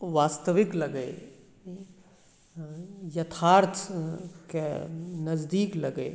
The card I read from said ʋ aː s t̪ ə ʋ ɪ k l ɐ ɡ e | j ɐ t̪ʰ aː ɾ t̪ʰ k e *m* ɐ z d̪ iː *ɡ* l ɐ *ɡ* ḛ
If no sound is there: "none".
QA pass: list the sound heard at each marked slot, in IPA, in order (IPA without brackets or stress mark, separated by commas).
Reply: n, k, ɡ